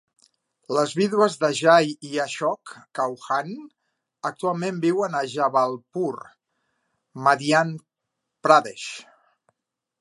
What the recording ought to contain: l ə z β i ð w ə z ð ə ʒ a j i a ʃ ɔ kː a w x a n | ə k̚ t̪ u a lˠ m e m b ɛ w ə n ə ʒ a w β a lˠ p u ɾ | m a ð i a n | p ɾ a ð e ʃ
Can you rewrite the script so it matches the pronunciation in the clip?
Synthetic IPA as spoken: l ə z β i ð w ə z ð ə ʒ a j i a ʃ ɔ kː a w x a n | ə k̚ t̪ u a lˠ m e m b i w ə n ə ʒ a β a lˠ p u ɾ | m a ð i a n | p ɾ a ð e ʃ